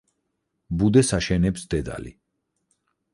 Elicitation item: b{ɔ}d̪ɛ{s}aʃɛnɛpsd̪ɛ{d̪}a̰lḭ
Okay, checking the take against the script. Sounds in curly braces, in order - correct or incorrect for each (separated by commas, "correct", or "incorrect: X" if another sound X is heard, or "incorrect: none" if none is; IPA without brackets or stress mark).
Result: incorrect: u, correct, correct